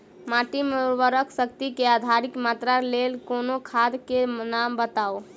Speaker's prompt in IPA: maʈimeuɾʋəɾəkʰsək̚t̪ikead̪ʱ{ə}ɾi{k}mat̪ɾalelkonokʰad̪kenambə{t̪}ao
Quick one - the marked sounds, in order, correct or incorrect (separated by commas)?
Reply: incorrect, correct, correct